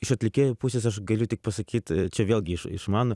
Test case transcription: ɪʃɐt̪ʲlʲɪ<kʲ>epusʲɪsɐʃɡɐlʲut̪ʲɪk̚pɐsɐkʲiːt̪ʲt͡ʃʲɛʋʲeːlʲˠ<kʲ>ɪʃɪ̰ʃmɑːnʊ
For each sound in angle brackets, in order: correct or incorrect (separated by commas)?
correct, incorrect